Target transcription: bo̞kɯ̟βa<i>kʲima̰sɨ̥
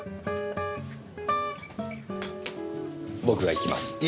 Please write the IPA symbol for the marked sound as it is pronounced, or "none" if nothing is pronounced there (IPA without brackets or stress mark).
i